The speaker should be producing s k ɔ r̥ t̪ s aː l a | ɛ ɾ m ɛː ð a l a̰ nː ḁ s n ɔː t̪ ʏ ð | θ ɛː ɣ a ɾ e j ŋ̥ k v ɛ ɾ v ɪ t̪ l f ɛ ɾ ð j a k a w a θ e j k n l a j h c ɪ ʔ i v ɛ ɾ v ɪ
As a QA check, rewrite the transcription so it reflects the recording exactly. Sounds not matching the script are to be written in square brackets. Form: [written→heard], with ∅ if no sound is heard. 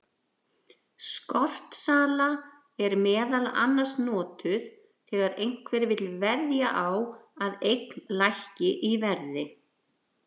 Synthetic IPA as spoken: s k ɔ r̥ t̪ s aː l a | ɛ ɾ m ɛː ð a l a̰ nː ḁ s n ɔː t̪ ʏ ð | θ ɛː ɣ a ɾ e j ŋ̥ k v ɛ ɾ v ɪ t̪ l [f→v] ɛ ɾ ð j a [k→ʔ] a w a [θ→ð] e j k n l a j h c ɪ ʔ i v ɛ ɾ [v→ð] ɪ